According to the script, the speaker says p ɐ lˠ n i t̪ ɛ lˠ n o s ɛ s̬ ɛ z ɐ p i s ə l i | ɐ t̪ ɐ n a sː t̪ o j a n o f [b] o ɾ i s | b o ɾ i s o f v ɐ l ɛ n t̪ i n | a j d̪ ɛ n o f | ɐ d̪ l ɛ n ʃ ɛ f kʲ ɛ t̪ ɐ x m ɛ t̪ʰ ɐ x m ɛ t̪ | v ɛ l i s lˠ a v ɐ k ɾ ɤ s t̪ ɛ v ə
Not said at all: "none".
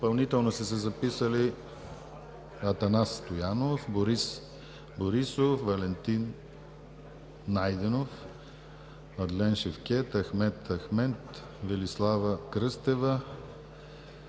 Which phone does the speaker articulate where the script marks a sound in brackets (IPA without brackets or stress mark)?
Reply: b